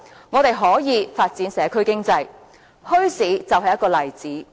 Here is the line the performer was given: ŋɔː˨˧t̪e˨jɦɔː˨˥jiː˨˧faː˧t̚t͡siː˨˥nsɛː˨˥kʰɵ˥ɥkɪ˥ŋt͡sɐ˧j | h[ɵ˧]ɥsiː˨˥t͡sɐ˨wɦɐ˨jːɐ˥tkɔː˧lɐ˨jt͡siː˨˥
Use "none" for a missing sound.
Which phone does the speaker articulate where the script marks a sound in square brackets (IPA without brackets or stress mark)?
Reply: ɵ˥